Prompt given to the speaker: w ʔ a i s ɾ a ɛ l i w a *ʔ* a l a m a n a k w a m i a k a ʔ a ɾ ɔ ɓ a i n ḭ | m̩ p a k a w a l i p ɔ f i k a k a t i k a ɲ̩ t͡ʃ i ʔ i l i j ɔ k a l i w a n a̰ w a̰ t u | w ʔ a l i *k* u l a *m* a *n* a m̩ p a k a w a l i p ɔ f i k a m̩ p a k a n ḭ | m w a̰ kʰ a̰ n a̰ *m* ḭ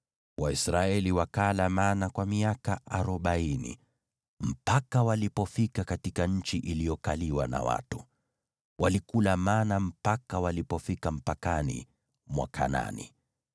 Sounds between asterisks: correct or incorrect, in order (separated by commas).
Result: incorrect, correct, correct, correct, incorrect